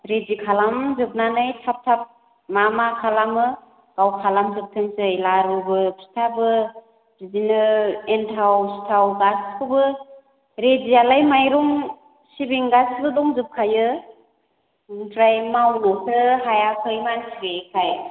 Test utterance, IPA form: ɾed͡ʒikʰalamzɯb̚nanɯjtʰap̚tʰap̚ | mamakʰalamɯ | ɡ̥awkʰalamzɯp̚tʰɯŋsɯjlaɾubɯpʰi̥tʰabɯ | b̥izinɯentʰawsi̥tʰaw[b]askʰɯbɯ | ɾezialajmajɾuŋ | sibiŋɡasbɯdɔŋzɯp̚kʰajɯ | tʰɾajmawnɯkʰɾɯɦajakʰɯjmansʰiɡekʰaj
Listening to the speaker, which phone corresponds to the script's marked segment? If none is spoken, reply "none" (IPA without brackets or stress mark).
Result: ɡ